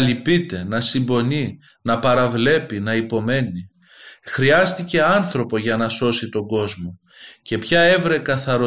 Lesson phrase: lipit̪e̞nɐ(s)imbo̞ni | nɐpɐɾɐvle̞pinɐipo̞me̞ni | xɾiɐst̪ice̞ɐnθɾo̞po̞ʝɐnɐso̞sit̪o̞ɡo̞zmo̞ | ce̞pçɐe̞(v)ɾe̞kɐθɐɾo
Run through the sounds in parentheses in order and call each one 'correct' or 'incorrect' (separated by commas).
correct, correct